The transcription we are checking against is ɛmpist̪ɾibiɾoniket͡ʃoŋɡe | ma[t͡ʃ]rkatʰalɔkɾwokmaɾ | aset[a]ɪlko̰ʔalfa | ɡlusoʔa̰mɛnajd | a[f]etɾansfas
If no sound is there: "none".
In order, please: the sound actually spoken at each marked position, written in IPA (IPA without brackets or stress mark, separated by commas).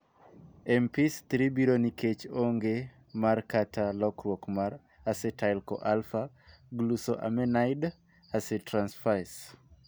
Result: none, a, s